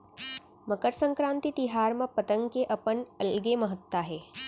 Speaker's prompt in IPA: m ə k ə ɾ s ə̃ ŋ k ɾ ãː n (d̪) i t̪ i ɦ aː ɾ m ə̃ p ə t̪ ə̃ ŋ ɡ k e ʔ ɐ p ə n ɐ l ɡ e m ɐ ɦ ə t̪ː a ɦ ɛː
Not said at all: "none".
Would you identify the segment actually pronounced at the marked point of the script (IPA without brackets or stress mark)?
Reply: t̪